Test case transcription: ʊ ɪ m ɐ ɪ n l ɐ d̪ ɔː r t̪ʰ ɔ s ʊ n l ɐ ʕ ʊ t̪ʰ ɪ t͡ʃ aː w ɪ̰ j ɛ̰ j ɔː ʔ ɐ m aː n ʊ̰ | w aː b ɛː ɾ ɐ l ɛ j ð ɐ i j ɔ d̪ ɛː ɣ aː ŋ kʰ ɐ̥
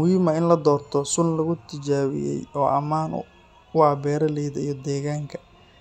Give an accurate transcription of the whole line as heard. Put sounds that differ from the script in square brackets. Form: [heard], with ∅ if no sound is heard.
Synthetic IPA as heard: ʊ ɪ m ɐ ɪ n l ɐ d̪ ɔː r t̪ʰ ɔ s ʊ n l ɐ [ɣ] ʊ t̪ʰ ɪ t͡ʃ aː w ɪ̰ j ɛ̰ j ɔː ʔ ɐ m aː n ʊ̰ | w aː b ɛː ɾ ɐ l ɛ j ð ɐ i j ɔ d̪ ɛː ɣ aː ŋ kʰ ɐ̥